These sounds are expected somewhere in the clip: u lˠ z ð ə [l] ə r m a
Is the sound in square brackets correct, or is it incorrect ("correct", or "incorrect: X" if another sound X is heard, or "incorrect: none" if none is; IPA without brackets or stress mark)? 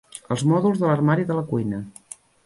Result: correct